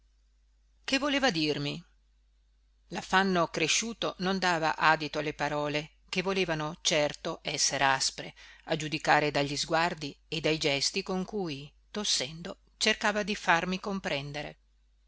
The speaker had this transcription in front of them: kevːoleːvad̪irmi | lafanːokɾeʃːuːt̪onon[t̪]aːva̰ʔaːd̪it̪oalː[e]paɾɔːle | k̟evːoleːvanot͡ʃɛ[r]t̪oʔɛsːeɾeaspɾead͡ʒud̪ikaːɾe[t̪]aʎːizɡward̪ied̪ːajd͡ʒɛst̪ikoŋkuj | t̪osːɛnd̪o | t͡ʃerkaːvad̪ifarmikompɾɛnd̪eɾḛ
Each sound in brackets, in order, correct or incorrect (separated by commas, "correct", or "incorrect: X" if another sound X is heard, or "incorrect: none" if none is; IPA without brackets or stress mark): incorrect: d̪, correct, correct, incorrect: d̪